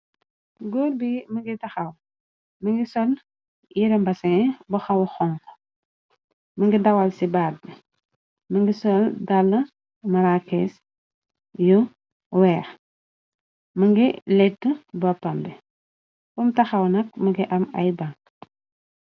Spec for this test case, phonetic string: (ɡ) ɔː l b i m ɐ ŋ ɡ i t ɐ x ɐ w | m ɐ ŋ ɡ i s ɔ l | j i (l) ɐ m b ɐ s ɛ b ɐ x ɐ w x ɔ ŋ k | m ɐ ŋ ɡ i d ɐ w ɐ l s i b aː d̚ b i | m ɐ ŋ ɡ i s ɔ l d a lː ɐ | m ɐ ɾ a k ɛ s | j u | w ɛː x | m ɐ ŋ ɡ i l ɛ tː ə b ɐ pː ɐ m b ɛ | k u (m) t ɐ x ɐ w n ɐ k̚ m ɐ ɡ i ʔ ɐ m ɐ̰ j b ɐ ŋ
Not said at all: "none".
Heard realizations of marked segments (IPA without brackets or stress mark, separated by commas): ɡ, ɾ, m